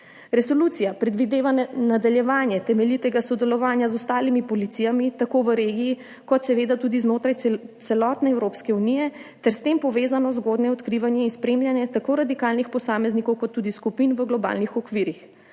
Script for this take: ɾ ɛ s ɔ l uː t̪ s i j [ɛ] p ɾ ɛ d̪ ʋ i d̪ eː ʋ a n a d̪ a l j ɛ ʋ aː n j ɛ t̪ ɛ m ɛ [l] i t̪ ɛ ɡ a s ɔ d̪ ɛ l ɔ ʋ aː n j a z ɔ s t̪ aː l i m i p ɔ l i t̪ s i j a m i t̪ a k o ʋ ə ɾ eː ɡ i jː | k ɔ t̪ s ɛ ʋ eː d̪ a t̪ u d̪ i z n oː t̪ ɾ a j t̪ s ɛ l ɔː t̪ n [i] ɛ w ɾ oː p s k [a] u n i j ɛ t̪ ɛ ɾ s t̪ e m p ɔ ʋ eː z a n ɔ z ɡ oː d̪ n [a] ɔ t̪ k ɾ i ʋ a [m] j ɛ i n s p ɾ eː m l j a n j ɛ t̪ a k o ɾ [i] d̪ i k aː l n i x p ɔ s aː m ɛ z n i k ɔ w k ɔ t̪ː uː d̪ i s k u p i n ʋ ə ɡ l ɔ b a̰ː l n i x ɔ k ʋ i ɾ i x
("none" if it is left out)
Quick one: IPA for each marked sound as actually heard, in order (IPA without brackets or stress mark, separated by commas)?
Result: a, l, ɛ, ɛ, ɛ, n, a